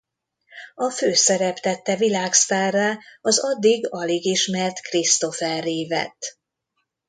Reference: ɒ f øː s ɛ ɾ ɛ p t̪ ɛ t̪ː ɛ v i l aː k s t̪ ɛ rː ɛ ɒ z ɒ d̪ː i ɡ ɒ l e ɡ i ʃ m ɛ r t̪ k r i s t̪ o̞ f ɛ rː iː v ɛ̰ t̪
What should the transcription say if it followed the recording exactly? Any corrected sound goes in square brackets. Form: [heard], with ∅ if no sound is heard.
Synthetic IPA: ɒ f øː s ɛ ɾ ɛ p t̪ ɛ t̪ː ɛ v i l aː k s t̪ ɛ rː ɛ ɒ z ɒ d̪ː i ɡ ɒ l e ɡ i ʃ m ɛ r t̪ k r i s t̪ o̞ f ɛ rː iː v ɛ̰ t̪